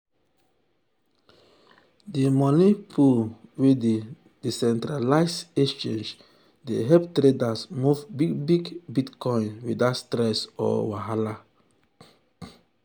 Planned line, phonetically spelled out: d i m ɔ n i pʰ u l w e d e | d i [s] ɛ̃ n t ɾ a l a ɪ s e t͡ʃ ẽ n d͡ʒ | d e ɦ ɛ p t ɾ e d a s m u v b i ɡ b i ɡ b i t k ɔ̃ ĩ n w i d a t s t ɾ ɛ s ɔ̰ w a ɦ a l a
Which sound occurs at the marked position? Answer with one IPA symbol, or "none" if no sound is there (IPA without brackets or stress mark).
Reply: s